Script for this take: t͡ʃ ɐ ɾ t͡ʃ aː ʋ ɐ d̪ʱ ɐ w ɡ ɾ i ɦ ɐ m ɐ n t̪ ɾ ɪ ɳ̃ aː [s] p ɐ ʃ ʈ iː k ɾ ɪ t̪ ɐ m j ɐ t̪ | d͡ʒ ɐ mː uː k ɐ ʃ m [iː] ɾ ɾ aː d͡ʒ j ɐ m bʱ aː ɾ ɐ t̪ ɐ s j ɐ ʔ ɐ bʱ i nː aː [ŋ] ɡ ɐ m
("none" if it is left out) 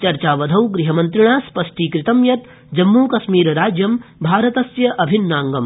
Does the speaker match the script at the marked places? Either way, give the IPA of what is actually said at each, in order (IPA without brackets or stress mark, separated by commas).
s, iː, ŋ